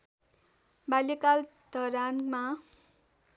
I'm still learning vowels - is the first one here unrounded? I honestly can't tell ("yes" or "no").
yes